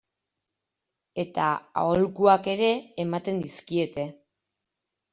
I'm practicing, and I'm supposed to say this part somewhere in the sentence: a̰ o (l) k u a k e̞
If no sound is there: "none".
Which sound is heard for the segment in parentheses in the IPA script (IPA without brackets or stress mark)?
l